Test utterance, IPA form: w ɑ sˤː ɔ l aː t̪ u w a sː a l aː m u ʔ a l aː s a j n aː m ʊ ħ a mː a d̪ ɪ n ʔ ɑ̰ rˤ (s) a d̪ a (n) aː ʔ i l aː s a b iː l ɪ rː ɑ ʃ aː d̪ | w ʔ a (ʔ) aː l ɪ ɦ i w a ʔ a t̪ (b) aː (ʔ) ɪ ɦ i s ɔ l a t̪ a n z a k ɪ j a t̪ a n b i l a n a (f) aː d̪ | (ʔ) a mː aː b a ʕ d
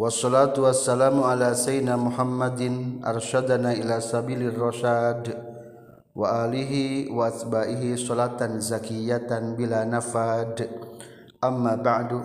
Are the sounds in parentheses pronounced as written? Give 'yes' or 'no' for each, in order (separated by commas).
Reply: no, yes, yes, yes, yes, yes, yes